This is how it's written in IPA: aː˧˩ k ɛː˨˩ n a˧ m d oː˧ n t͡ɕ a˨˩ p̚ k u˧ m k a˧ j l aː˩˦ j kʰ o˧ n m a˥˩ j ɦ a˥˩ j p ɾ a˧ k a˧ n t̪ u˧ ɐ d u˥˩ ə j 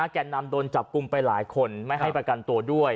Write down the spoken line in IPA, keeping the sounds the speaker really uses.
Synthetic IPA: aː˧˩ k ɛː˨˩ n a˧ m d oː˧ n t͡ɕ a˨˩ p̚ k u˧ m p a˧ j l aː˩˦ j kʰ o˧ n m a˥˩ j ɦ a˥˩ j p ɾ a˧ k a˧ n t̪ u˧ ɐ d u˥˩ ə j